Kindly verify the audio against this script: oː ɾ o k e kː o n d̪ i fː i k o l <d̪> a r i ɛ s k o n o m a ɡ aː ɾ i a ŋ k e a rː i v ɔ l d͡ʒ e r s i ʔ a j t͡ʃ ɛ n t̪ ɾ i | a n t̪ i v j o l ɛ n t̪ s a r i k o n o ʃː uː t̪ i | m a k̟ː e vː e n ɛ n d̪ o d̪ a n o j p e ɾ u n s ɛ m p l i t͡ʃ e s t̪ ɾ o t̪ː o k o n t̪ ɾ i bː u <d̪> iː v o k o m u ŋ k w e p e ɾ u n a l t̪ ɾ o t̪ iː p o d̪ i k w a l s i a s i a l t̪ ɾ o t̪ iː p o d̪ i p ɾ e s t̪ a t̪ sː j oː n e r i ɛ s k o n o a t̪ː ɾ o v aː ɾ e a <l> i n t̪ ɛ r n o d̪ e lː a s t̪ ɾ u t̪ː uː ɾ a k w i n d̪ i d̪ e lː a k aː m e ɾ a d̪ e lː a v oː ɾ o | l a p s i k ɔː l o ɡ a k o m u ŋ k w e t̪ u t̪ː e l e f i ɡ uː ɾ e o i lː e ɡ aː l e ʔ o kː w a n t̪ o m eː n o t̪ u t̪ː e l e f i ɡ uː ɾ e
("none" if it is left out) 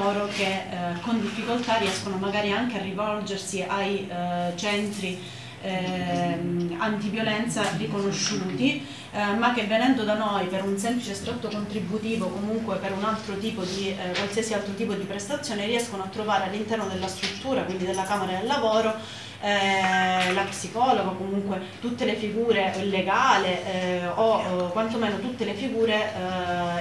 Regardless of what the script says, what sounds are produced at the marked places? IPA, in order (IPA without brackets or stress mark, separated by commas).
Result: t̪, t̪, lː